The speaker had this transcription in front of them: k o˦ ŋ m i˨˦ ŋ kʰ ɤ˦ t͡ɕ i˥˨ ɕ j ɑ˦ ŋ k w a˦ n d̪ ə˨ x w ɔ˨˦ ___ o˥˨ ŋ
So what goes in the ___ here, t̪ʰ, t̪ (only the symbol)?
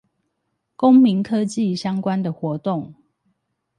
t̪